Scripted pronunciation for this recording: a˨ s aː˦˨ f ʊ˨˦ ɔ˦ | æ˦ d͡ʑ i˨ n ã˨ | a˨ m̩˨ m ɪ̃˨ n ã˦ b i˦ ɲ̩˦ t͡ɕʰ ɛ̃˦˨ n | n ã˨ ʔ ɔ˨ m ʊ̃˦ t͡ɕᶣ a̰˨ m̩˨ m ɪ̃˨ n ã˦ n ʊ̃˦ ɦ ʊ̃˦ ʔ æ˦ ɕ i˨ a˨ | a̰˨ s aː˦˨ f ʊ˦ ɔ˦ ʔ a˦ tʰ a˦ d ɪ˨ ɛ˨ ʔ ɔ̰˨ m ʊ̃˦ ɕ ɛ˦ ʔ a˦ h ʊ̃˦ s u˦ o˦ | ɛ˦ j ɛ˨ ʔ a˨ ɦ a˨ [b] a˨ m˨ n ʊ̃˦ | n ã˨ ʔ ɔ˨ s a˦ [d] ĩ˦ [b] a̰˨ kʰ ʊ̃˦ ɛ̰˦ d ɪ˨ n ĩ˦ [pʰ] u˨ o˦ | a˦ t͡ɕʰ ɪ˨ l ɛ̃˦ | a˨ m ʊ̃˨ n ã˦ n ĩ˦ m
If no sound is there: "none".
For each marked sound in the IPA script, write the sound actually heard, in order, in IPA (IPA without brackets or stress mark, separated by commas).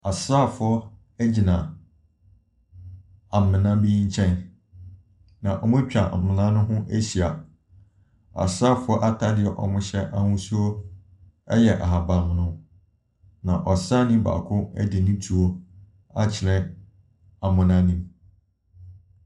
b, n, b, tʰ